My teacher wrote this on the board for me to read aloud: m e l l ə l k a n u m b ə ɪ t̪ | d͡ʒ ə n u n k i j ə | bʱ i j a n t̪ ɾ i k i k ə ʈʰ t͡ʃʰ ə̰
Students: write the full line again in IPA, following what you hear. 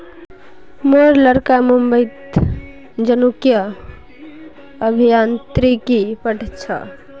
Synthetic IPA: m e ɾ l ə ɾ k a m u m b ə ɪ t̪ | d͡ʒ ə n u k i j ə | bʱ i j a n t̪ ɾ i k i p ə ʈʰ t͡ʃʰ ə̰